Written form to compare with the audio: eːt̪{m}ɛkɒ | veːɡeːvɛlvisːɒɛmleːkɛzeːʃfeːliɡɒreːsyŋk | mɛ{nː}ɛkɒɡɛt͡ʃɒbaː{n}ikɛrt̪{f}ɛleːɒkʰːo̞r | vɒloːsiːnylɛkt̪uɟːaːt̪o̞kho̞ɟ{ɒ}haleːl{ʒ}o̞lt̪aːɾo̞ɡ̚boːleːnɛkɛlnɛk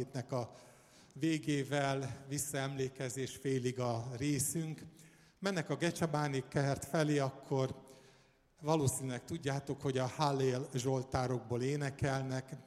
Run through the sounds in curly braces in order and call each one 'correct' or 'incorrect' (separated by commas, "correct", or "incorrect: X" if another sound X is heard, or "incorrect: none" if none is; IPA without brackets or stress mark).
incorrect: n, correct, correct, correct, correct, correct